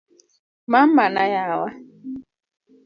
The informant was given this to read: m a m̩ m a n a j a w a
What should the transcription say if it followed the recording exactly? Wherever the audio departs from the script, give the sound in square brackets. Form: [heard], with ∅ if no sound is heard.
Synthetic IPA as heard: m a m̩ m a n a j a w a